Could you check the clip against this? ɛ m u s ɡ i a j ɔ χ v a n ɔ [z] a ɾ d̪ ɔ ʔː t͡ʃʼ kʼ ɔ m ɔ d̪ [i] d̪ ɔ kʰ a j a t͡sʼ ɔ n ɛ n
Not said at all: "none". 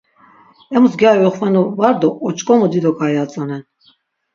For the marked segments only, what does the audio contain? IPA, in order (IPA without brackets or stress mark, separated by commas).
v, i